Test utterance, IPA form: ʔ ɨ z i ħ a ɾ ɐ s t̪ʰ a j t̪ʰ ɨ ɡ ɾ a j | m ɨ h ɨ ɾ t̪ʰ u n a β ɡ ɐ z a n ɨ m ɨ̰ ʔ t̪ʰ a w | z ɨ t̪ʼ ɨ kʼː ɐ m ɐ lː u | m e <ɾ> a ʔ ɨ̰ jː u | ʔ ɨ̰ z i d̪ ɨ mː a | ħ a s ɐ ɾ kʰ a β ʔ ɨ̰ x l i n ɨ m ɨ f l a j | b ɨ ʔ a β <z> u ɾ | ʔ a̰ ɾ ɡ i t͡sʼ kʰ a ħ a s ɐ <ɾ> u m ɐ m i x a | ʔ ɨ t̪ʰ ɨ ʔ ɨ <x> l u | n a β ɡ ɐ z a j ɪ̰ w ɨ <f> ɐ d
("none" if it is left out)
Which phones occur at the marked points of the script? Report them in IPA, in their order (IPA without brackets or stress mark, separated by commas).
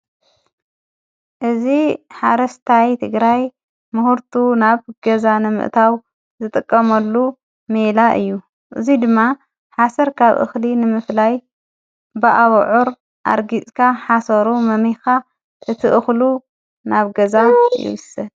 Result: l, ʕ, ɾ, x, s